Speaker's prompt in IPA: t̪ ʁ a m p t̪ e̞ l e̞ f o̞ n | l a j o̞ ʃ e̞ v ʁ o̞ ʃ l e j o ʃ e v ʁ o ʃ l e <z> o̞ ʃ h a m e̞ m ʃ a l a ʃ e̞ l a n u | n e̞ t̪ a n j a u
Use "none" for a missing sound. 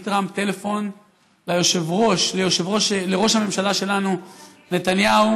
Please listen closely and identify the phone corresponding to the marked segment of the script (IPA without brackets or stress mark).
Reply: ʁ